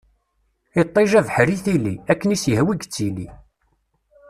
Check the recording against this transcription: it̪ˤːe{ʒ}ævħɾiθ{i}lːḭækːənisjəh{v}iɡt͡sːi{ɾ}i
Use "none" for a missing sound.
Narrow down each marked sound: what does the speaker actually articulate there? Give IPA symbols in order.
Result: ʒ, i, w, l

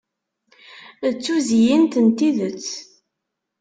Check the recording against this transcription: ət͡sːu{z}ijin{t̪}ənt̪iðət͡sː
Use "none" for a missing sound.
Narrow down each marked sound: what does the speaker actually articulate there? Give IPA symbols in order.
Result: z, t̪

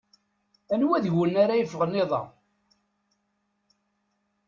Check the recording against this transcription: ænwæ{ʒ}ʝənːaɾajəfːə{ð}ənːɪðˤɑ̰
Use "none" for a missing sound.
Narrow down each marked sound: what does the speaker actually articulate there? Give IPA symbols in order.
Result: ð, ʁ

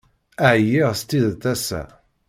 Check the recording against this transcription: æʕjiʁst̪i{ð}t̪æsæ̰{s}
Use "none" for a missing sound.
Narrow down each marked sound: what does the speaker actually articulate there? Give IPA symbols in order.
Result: ð, none

